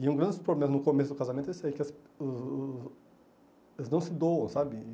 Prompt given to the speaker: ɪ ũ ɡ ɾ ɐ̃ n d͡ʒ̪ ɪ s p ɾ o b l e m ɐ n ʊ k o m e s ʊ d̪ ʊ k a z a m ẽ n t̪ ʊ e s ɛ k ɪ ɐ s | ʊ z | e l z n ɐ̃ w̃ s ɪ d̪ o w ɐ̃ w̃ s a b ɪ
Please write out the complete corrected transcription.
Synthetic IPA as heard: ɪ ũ ɡ ɾ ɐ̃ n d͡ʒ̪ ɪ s p ɾ o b l e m ɐ n ʊ k o m e s ʊ d̪ ʊ k a z a m ẽ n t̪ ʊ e s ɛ k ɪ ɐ s | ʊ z | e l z n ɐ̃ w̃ s ɪ d̪ o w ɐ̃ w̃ s a b ɪ